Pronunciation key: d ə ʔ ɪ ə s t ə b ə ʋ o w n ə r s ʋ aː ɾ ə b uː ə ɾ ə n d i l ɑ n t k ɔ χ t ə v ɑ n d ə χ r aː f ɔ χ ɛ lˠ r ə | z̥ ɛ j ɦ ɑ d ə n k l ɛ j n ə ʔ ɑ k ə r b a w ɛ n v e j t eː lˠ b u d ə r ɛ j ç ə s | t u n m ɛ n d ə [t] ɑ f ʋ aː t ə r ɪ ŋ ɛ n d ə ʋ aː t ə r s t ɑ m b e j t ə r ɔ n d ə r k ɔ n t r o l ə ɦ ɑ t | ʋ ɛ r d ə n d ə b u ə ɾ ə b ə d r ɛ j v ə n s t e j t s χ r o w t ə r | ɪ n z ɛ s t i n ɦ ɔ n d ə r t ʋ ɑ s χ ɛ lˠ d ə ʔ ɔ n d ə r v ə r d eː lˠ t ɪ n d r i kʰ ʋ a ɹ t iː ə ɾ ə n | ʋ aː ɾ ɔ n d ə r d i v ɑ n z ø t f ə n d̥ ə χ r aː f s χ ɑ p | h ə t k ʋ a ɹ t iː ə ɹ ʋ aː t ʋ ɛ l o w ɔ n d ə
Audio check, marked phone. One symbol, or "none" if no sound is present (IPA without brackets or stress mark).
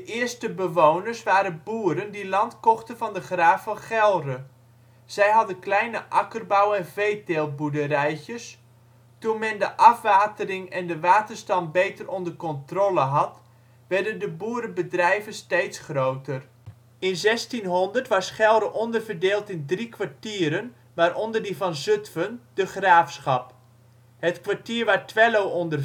ʔ